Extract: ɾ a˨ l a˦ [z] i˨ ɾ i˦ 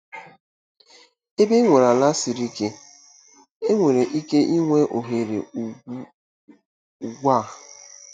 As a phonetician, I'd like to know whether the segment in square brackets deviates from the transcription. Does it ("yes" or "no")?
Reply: yes